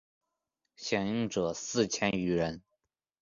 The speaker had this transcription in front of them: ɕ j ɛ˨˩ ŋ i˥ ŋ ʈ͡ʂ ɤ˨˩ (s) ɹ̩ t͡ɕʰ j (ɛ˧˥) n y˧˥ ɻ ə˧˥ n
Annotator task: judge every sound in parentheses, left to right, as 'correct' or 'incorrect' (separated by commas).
correct, incorrect